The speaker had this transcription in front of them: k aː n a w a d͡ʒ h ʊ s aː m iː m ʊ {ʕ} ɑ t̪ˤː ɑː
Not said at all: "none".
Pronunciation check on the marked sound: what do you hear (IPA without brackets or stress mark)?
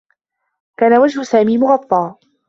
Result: ɣ